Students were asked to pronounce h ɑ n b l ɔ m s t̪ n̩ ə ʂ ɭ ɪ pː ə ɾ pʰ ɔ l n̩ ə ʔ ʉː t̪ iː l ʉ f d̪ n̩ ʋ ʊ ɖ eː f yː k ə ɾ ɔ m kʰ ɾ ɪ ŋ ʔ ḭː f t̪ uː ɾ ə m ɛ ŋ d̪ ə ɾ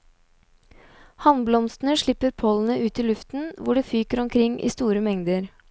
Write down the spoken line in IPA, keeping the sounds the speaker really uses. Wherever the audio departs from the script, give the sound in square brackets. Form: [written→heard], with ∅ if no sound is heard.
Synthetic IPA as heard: h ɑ n b l ɔ m s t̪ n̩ ə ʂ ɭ ɪ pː ə ɾ pʰ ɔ l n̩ ə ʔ ʉː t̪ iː l ʉ f [d̪→t̪] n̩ ʋ ʊ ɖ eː f yː k ə ɾ ɔ m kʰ ɾ ɪ ŋ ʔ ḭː [f→s] t̪ uː ɾ ə m ɛ ŋ d̪ ə ɾ